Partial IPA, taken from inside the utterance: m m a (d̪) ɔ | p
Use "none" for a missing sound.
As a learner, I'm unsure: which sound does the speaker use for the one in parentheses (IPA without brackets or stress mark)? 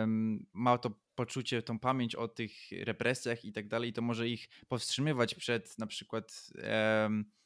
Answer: t̪